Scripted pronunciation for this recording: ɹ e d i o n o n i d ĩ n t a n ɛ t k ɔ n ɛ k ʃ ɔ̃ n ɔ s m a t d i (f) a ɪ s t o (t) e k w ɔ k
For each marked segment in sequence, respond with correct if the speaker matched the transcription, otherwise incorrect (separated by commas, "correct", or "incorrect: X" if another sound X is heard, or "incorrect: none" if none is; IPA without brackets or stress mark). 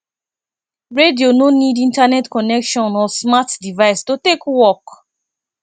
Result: incorrect: v, correct